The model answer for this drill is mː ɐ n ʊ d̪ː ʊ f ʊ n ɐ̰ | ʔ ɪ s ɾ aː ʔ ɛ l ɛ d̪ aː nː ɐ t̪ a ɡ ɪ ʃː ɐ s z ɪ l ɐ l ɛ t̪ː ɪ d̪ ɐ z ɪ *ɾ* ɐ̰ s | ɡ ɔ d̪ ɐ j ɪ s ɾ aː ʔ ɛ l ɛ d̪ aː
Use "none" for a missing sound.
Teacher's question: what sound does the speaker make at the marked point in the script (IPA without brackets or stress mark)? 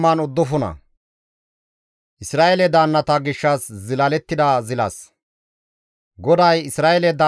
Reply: l